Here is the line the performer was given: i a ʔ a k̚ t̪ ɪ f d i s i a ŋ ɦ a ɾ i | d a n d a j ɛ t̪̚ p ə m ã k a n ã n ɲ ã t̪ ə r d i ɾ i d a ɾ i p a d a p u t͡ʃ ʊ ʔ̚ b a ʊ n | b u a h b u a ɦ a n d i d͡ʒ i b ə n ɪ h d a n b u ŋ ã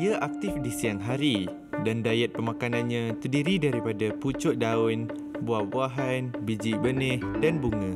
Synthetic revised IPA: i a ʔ a k̚ t̪ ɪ f d i s i a ŋ ɦ a ɾ i | d a n d a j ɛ t̪̚ p ə m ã k a n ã n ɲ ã t̪ ə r d i ɾ i d a ɾ i p a d a p u t͡ʃ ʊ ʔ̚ d a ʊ n | b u a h b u a ɦ a n b i d͡ʒ i b ə n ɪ h d a n b u ŋ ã

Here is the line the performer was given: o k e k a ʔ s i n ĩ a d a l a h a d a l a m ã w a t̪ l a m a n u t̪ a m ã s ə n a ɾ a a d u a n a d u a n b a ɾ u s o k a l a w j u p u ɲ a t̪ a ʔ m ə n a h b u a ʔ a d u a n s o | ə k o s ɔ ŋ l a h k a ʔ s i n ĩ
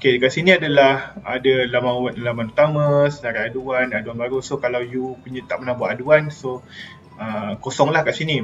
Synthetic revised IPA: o k e k a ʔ s i n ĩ a d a l a h a d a l a m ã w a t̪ l a m a n u t̪ a m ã s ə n a ɾ a a d u a n a d u a n b a ɾ u s o k a l a w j u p u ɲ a t̪ a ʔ m ə n a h b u a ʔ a d u a n s o | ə k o s ɔ ŋ l a h k a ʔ s i n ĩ

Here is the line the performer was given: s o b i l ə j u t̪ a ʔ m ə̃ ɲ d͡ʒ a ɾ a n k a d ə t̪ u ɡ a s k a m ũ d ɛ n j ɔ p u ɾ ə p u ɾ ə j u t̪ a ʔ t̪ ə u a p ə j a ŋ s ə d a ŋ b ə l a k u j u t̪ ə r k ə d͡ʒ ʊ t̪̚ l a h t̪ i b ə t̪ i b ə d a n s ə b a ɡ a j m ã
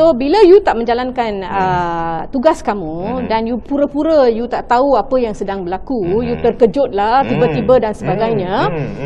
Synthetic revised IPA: s o b i l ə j u t̪ a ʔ m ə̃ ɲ d͡ʒ a l a n k a n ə t̪ u ɡ a s k a m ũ d a n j u p u ɾ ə p u ɾ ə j u t̪ a ʔ t̪ a u a p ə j a ŋ s ə d a ŋ b ə l a k u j u t̪ ə r k ə d͡ʒ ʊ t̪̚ l a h t̪ i b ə t̪ i b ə d a n s ə b a ɡ a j ɲ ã

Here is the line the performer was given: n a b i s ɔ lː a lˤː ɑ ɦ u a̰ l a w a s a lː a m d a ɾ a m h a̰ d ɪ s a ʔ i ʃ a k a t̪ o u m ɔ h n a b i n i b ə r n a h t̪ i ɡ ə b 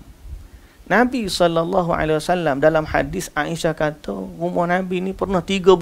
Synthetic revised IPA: n a b i s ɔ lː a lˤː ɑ ɦ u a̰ l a w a s a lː a m d a l a m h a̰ d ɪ s a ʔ i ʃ a k a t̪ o u m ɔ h n a b i n i p ə r n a h t̪ i ɡ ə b

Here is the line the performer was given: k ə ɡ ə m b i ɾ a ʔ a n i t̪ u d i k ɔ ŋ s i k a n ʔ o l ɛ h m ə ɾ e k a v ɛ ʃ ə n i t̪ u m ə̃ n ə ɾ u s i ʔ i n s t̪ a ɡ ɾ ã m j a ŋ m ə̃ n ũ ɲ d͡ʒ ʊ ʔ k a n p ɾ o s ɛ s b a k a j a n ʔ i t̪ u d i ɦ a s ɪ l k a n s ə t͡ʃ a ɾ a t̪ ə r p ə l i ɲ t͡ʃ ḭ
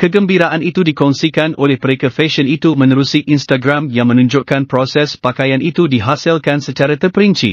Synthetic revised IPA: k ə ɡ ə m b i ɾ a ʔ a n i t̪ u d i k ɔ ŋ s i k a n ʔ o l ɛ h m ə ɾ e k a f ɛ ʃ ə n i t̪ u m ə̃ n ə ɾ u s i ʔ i n s t̪ a ɡ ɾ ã m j a ŋ m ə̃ n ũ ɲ d͡ʒ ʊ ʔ k a n p ɾ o s ɛ s p a k a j a n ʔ i t̪ u d i ɦ a s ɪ l k a n s ə t͡ʃ a ɾ a t̪ ə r p ə ɾ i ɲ t͡ʃ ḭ

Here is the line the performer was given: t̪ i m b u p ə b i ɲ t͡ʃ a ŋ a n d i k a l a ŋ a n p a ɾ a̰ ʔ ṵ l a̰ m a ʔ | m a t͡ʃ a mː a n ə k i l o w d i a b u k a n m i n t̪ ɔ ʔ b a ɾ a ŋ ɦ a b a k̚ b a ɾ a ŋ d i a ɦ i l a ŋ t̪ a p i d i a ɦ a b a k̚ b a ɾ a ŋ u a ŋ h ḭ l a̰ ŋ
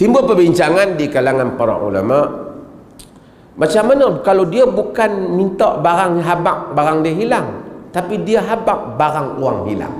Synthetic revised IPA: t̪ i m b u p ə b i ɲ t͡ʃ a ŋ a n d i k a l a ŋ a n p a ɾ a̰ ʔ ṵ l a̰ m a ʔ | m a t͡ʃ a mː a n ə k a l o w d i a b u k a n m i n t̪ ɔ ʔ b a ɾ a ŋ ɦ a b a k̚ b a ɾ a ŋ d i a ɦ i l a ŋ t̪ a p i d i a ɦ a b a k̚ b a ɾ a ŋ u a ŋ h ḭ l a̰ ŋ

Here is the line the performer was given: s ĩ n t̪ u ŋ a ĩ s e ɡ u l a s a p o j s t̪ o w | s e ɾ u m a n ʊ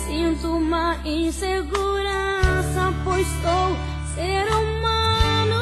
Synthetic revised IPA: s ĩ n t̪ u m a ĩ s e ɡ u ɾ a s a p o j s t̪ o w | s e ɾ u m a n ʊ

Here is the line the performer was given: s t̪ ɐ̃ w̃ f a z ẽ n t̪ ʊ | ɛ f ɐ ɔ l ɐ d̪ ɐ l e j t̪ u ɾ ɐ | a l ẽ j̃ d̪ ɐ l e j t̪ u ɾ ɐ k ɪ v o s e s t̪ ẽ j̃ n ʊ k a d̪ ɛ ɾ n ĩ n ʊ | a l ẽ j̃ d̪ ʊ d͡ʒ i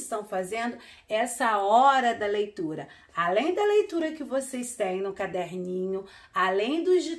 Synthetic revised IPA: s t̪ ɐ̃ w̃ f a z ẽ n d̪ ʊ | ɛ s ɐ ɔ ɾ ɐ d̪ ɐ l e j t̪ u ɾ ɐ | a l ẽ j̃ d̪ ɐ l e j t̪ u ɾ ɐ k ɪ v o s e s t̪ ẽ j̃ n ʊ k a d̪ ɛ ɾ n ĩ ɲ ʊ | a l ẽ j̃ d̪ ʊ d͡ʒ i

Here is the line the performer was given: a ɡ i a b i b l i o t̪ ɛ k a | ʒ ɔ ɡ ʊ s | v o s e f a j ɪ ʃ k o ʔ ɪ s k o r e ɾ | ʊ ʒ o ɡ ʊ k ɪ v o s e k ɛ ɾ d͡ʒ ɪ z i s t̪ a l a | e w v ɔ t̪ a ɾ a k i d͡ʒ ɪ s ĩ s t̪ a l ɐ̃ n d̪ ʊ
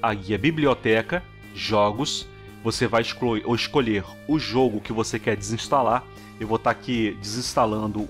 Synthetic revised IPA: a ɡ i ɐ b i b l i o t̪ ɛ k ɐ | ʒ ɔ ɡ ʊ s | v o s e v a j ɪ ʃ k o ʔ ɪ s k o ʎ e ɾ | ʊ ʒ o ɡ ʊ k ɪ v o s e k ɛ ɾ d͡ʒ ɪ z ĩ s t̪ a l a | e w v o t̪ a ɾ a k i d͡ʒ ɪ z ĩ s t̪ a l ɐ̃ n d̪ ʊ

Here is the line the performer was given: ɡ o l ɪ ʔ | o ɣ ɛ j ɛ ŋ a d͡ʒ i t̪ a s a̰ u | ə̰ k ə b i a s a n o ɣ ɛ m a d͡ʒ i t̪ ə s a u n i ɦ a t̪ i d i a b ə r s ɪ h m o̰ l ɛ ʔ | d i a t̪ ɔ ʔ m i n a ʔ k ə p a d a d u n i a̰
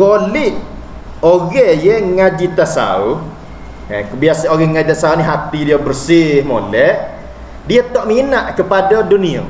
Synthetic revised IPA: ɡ o l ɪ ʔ | o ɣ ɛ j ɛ ŋ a d͡ʒ i t̪ a s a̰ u | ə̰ k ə b i a s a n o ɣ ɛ ŋ a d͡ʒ i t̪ a s a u n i ɦ a t̪ i d i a b ə r s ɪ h m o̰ l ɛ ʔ | d i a t̪ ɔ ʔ m i n a ʔ k ə p a d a d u n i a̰

